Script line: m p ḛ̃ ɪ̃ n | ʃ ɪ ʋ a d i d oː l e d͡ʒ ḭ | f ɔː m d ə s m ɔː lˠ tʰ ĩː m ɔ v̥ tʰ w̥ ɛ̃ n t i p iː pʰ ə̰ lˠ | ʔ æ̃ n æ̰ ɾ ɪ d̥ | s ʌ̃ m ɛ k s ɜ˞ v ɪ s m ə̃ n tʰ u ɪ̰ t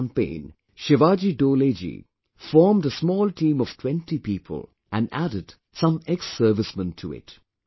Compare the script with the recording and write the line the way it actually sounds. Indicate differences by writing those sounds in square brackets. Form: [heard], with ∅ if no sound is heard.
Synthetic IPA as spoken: m p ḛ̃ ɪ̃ n | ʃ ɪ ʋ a [d͡ʒ] i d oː l e d͡ʒ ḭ | f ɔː m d ə s m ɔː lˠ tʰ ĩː m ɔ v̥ tʰ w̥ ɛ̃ n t i p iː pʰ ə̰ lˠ | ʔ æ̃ n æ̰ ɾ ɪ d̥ | s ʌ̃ m ɛ k s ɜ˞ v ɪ s m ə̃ n tʰ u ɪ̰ t